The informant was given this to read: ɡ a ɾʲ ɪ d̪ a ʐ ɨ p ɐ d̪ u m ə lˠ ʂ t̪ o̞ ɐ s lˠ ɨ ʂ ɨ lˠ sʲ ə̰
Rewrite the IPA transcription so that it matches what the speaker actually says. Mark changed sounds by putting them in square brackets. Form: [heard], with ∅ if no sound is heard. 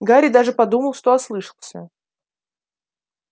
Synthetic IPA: ɡ a ɾʲ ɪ d̪ a ʐ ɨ p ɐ d̪ u m ə lˠ ʂ t̪ o̞ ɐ s lˠ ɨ ʂ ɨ lˠ sʲ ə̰